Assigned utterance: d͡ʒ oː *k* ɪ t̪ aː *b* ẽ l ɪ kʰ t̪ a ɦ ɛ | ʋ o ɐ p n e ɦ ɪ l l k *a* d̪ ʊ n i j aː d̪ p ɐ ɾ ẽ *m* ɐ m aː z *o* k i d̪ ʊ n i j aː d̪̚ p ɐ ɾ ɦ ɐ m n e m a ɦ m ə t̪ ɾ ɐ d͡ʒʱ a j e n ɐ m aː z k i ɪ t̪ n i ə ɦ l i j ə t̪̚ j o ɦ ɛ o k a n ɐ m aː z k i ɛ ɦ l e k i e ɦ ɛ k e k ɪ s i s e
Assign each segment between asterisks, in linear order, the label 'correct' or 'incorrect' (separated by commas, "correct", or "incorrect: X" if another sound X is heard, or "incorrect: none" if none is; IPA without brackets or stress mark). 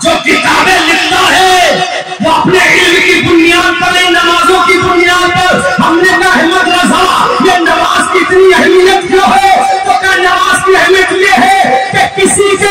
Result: correct, correct, incorrect: i, incorrect: n, incorrect: õ